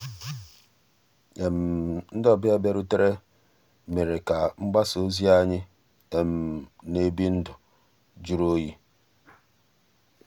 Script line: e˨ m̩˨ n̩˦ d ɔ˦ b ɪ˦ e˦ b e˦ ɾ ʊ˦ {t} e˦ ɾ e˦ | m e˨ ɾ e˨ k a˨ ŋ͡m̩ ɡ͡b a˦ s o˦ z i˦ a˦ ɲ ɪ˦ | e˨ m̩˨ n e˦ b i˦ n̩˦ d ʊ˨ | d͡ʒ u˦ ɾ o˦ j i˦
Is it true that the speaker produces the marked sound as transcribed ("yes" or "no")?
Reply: yes